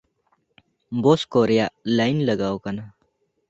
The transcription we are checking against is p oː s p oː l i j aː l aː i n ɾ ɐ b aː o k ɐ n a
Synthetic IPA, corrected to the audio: b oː s k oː ɾ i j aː l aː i n l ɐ ɡ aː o k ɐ n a